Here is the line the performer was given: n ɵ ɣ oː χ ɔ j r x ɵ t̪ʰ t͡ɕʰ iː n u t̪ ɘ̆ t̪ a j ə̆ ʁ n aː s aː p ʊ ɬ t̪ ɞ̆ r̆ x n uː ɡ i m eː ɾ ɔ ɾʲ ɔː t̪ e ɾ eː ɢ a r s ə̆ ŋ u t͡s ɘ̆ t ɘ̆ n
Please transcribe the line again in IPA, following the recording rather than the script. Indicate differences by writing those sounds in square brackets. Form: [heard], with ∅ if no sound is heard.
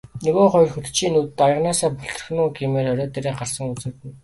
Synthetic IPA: n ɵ ɣ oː χ ɔ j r x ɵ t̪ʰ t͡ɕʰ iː n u t̪ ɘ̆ t̪ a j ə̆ ʁ n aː s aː p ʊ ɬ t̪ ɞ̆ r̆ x n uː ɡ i m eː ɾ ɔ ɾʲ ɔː t̪ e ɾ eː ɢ a r s ə̆ ŋ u t͡s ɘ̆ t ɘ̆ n